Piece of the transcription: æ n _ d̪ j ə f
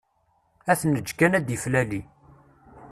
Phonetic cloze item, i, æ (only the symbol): æ